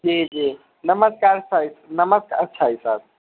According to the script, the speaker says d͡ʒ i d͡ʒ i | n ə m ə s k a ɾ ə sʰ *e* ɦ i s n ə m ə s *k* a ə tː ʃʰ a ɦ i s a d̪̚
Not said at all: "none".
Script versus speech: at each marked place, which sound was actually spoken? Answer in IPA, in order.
a, k

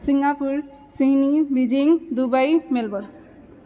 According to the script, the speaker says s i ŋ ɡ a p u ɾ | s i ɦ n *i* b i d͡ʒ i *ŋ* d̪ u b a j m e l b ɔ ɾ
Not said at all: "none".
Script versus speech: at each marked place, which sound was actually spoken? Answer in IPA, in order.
i, ŋ

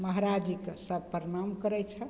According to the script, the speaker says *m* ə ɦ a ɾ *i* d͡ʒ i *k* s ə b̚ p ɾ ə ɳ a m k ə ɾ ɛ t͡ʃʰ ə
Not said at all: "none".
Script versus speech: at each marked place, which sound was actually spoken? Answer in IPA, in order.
m, a, k

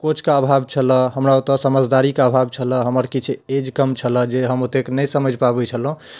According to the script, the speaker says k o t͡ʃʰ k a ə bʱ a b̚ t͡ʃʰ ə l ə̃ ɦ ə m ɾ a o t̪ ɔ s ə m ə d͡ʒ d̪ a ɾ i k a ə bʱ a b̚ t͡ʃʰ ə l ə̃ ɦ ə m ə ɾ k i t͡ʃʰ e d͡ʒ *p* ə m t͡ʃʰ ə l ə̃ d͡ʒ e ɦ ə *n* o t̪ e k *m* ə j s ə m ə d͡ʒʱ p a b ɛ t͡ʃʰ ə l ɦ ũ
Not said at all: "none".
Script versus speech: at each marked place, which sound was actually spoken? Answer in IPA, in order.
k, m, n

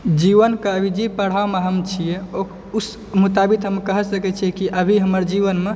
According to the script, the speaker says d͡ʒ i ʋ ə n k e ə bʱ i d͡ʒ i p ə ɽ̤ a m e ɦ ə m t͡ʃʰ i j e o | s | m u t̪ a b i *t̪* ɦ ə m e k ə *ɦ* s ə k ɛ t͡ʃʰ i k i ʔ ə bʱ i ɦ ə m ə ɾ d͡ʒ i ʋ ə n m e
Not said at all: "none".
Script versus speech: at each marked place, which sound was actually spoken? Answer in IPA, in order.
t̪, ɦ

